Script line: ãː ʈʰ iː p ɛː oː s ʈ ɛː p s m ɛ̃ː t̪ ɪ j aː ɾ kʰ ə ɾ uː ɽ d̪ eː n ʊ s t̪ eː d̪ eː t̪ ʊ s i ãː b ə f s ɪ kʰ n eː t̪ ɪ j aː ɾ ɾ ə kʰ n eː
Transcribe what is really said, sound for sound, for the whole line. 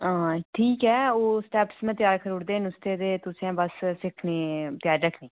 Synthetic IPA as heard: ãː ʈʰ iː k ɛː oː s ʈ ɛː p s m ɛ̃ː t̪ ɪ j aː ɾ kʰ ə ɾ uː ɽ d̪ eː n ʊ s t̪ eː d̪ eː t̪ ʊ s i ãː b ə s s ɪ kʰ n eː t̪ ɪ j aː ɾ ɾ ə kʰ n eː